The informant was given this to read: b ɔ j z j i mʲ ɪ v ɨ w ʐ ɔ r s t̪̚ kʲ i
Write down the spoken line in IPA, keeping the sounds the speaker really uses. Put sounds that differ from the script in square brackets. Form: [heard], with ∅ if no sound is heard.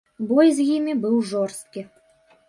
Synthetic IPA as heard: b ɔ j z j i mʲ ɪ [b] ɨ w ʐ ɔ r s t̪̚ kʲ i